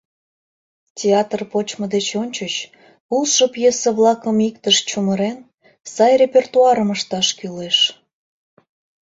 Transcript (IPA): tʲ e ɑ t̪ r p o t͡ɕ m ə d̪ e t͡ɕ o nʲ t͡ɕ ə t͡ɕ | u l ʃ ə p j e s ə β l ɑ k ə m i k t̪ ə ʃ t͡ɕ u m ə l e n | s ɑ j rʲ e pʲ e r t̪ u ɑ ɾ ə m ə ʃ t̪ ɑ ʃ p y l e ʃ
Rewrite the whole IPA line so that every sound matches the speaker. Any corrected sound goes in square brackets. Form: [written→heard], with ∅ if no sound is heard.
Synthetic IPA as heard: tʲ e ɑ t̪ r p o t͡ɕ m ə d̪ e t͡ɕ o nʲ t͡ɕ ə t͡ɕ | u l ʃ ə p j e s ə β l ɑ k ə m i k t̪ ə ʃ t͡ɕ u m ə [l→ɾ] e n | s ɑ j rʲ e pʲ e r t̪ u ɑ ɾ ə m ə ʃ t̪ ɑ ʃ [p→k] y l e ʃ